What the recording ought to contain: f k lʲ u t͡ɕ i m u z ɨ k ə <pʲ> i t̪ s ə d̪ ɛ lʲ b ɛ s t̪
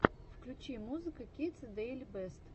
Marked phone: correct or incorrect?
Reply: incorrect